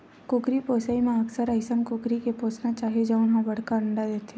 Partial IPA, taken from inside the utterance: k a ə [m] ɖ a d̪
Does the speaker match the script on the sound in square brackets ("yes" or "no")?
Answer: no